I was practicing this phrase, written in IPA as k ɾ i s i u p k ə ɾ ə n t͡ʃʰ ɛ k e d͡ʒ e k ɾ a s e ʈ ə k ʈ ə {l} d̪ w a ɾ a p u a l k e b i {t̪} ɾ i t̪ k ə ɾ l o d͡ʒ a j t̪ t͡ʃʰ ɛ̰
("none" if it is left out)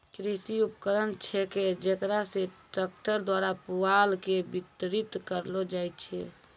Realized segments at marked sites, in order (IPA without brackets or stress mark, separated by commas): ɾ, t̪